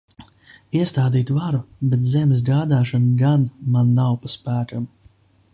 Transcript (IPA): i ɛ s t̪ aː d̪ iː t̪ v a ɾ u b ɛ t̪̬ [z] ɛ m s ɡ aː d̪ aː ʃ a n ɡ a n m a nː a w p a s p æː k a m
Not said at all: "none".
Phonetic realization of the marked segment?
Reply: z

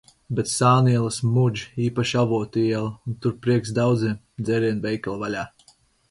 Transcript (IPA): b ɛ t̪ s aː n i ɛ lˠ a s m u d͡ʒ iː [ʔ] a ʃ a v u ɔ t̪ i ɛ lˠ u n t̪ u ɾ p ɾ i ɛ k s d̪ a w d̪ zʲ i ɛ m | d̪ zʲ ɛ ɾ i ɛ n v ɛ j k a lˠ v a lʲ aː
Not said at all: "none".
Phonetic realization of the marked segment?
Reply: p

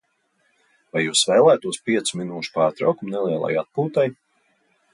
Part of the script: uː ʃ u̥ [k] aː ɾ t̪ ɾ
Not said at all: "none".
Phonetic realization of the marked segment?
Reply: p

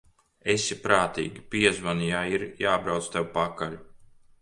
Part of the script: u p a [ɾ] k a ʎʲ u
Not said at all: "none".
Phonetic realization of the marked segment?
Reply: none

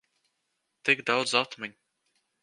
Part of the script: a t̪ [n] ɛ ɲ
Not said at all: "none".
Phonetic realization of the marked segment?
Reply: m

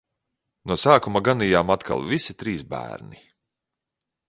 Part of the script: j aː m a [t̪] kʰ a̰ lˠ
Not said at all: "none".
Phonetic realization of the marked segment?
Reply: t̪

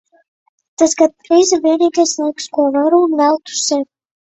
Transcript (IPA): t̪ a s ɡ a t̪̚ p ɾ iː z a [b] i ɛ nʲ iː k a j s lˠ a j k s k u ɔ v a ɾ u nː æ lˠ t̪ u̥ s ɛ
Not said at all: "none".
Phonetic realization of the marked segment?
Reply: v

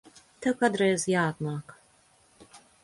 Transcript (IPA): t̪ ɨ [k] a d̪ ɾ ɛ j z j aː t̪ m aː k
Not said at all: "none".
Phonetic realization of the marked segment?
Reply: k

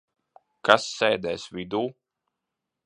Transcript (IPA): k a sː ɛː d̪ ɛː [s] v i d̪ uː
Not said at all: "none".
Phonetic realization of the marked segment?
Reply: s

